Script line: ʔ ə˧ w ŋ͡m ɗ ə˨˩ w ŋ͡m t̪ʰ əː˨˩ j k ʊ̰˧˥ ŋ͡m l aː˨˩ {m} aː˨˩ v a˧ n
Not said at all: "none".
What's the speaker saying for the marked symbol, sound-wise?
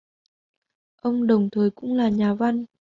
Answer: ɲ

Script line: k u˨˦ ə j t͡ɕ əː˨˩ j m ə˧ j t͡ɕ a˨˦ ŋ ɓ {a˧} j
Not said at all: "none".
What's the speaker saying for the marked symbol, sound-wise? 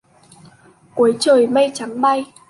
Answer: a˧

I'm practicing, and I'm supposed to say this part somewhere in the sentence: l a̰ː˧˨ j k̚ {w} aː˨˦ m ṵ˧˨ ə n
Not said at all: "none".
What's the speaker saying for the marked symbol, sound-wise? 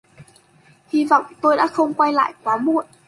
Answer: w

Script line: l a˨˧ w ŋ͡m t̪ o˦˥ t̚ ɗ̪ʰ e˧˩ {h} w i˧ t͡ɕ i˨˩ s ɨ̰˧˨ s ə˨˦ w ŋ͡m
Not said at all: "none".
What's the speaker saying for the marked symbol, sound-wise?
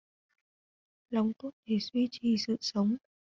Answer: s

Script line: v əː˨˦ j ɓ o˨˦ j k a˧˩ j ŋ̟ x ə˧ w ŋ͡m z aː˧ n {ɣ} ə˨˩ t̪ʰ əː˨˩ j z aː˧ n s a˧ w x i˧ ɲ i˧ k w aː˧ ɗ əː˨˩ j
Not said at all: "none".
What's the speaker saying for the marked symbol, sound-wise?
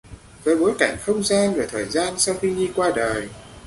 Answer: v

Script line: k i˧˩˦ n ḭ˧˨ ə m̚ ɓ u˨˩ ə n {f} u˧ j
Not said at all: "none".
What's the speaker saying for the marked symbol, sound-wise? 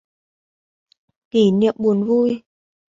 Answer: v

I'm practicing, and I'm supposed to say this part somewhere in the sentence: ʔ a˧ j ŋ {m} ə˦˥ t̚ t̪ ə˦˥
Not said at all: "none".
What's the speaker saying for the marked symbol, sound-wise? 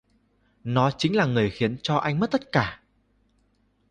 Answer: m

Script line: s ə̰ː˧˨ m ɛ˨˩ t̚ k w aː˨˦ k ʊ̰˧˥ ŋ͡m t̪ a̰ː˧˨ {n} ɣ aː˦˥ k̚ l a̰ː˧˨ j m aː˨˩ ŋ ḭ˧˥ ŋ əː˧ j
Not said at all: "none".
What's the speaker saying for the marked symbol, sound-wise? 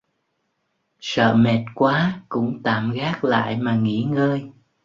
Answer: m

